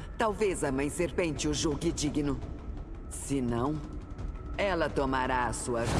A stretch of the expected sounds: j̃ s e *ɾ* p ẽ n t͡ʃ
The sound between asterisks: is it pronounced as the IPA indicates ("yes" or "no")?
yes